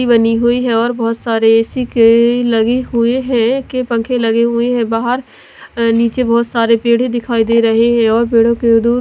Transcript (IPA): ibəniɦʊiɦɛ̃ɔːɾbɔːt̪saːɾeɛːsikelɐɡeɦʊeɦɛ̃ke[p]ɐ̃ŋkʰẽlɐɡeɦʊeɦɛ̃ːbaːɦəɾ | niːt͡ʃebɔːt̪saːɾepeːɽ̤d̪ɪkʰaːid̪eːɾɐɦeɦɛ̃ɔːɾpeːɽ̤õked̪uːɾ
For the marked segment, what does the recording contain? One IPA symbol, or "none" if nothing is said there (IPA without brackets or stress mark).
p